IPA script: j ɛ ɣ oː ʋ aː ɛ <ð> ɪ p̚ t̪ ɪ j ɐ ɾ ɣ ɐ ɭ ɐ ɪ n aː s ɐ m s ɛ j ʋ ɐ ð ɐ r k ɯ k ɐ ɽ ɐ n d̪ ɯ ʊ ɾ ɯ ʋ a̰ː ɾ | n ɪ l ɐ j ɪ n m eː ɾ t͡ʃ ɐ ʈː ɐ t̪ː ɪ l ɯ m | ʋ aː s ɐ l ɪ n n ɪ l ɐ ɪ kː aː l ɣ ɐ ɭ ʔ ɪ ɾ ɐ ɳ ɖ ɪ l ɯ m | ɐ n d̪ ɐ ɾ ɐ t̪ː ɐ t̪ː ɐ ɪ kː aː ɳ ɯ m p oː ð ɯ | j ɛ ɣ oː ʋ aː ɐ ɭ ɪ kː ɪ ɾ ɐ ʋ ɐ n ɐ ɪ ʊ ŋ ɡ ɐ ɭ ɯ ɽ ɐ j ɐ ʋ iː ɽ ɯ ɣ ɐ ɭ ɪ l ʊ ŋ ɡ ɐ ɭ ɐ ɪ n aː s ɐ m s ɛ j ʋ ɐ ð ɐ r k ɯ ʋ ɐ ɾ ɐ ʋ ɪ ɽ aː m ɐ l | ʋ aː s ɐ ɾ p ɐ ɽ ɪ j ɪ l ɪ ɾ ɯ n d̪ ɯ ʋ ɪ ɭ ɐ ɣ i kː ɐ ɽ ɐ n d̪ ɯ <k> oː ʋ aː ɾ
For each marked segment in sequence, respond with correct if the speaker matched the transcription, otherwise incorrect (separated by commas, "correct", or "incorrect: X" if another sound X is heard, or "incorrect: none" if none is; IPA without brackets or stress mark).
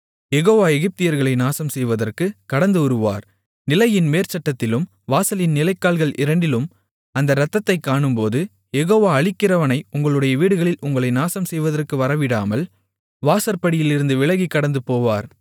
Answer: incorrect: ɣ, incorrect: p